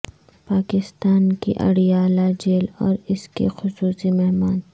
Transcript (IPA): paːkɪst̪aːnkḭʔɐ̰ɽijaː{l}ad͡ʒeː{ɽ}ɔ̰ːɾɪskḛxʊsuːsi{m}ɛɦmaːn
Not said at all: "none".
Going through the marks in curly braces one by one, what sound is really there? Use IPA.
l, l, m

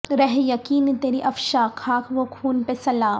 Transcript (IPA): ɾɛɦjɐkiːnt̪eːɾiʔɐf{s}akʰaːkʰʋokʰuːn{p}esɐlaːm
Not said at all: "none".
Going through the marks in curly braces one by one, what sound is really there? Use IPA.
ʃ, p

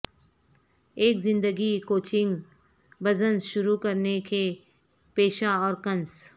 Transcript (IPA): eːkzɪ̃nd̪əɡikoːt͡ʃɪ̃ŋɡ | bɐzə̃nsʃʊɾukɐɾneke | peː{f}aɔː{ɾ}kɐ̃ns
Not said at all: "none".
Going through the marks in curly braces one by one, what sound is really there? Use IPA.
ʃ, ɾ

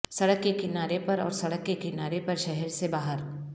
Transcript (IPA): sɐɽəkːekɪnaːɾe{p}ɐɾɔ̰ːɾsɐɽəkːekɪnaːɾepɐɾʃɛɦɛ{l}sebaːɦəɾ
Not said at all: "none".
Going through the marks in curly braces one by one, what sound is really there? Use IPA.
p, ɾ

